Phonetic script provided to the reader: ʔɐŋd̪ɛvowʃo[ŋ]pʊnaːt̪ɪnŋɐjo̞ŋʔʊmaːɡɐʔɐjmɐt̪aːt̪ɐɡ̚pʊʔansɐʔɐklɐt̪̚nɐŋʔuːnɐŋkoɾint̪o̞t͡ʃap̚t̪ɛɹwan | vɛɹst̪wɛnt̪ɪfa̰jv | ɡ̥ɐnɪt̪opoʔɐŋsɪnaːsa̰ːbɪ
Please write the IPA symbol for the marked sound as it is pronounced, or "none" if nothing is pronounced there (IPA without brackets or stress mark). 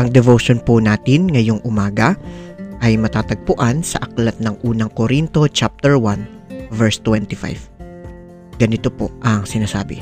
n